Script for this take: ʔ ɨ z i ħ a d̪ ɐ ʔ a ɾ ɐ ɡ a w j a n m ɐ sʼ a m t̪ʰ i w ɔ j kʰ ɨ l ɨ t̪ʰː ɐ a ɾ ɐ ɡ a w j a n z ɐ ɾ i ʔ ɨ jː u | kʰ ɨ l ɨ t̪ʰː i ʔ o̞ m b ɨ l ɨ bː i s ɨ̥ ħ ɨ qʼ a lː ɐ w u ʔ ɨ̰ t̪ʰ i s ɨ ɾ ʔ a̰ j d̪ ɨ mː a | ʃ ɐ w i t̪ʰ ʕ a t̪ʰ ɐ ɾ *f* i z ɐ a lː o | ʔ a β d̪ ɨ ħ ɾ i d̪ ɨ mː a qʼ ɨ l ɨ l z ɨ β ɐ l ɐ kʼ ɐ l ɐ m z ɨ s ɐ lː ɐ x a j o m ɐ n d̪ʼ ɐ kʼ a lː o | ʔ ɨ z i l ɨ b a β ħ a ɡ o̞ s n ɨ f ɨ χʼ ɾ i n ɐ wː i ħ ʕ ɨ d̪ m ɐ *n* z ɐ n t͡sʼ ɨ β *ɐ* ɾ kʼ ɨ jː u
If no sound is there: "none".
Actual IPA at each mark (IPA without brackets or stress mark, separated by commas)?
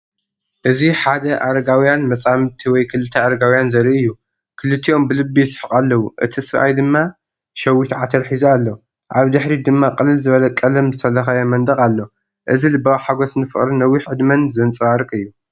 ħ, n, a